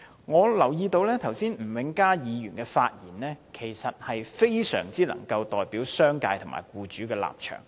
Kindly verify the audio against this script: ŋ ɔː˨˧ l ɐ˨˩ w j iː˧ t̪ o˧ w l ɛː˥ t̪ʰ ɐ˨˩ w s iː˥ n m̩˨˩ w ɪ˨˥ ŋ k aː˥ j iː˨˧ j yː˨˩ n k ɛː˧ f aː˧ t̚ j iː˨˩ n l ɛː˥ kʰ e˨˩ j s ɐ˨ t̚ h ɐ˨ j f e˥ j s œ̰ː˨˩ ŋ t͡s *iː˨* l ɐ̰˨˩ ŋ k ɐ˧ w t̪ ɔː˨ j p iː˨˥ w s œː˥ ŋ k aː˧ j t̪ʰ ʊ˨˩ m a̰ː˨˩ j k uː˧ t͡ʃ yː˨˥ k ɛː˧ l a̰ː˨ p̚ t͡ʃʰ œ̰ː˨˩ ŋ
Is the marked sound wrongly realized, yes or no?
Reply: yes